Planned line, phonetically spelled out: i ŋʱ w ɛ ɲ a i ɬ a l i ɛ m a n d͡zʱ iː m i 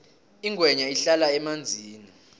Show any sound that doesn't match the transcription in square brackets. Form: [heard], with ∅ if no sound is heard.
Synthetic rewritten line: i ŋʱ w ɛ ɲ a i ɬ a l [a] ɛ m a n d͡zʱ iː [n] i